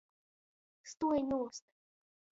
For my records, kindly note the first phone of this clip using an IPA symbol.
s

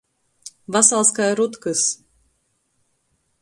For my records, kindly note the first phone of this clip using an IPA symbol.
v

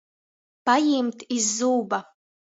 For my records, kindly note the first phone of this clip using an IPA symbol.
p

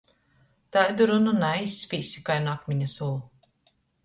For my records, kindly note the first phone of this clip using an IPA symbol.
t̪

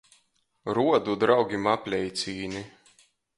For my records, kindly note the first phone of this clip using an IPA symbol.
ɾ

